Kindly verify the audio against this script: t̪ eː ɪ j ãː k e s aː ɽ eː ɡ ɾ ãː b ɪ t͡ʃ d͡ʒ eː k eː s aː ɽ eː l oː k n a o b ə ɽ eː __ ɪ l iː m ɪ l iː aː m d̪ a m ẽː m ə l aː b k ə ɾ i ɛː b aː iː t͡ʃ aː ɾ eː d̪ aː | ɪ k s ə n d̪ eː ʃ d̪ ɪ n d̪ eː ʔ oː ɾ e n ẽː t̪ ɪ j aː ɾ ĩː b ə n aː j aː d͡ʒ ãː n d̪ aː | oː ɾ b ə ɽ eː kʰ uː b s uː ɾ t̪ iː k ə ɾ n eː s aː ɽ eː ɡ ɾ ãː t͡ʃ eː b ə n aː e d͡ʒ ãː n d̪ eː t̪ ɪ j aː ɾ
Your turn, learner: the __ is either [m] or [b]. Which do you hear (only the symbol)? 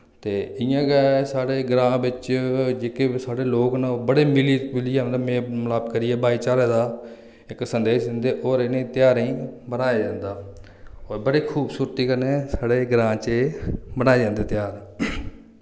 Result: m